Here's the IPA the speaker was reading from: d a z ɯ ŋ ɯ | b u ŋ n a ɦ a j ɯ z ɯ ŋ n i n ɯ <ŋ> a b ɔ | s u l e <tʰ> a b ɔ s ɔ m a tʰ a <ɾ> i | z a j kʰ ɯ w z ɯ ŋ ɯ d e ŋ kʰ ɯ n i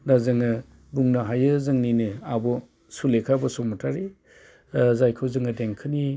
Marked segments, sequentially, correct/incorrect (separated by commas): incorrect, incorrect, correct